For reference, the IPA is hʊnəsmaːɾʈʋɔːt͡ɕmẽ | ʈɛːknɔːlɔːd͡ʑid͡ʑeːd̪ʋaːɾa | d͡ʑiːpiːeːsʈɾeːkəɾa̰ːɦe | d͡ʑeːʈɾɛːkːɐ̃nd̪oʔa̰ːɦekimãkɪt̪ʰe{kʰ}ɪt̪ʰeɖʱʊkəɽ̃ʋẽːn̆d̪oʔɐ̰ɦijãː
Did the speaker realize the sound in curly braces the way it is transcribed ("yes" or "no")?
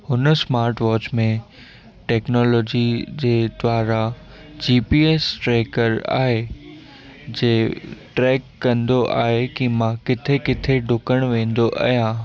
no